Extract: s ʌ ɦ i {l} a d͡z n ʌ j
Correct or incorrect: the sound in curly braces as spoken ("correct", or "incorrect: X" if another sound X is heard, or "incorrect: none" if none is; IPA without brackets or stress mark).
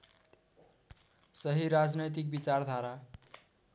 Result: incorrect: ɾ